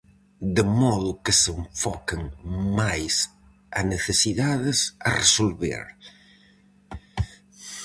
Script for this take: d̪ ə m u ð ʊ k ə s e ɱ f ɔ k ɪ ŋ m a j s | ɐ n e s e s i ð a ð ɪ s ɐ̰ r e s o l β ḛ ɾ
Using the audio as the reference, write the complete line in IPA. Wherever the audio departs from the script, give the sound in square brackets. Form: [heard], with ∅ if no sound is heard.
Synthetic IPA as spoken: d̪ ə m [ɔ] ð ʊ k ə s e ɱ f ɔ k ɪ ŋ m a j s | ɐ n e [θ] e s i ð a ð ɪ s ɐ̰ r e s o l β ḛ ɾ